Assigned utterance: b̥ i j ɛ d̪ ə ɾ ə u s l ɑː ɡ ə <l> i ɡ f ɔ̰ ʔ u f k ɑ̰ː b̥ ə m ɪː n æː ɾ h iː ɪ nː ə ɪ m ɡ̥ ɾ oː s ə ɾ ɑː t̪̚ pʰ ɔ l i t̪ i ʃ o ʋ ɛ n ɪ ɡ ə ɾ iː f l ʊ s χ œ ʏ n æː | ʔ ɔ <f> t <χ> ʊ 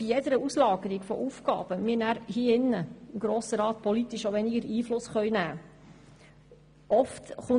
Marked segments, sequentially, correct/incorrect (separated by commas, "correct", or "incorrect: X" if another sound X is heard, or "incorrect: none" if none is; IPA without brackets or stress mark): incorrect: ɾ, correct, correct